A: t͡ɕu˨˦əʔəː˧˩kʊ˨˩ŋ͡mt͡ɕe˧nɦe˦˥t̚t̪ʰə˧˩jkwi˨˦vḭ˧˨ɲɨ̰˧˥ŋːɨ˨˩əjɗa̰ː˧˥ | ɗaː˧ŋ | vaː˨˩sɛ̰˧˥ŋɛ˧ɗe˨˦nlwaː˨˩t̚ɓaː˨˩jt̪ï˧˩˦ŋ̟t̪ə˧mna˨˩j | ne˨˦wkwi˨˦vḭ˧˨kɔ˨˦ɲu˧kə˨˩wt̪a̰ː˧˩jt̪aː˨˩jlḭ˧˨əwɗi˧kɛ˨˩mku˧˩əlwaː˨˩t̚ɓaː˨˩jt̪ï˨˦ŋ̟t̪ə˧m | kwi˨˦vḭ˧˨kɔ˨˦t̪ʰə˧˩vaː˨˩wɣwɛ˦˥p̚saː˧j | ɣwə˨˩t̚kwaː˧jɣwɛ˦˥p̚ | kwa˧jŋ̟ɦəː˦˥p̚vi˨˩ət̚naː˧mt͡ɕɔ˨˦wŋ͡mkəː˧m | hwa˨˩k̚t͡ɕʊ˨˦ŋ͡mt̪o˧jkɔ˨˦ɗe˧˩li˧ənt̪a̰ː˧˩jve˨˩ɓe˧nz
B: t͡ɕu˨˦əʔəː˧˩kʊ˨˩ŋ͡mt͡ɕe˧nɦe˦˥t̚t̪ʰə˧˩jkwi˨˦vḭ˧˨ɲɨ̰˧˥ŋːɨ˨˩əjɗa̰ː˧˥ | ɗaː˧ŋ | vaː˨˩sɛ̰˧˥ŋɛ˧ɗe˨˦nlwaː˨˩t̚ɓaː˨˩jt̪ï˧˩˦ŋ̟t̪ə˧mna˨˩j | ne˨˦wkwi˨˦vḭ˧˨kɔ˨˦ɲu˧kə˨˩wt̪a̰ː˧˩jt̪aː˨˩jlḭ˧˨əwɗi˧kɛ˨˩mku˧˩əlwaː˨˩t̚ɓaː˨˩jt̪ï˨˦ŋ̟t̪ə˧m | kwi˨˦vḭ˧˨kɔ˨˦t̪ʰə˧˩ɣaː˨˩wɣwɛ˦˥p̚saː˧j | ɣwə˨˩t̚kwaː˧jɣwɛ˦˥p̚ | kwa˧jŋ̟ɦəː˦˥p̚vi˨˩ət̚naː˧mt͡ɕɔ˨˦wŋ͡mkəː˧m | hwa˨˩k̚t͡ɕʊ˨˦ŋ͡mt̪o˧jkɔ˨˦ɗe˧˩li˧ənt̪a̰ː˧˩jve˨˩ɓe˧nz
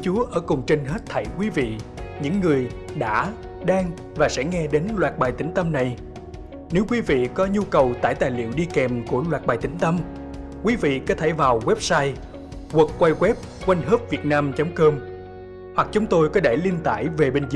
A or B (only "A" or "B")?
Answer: A